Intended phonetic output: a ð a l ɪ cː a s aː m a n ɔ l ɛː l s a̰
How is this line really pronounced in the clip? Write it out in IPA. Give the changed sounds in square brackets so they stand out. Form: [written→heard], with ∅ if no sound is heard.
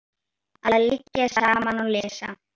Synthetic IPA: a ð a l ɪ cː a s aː m a n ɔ l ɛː [l→∅] s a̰